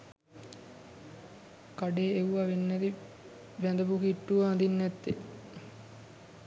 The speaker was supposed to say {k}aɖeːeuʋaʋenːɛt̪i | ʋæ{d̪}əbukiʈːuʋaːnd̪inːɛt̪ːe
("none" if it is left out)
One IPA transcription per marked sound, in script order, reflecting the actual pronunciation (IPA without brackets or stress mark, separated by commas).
k, d̪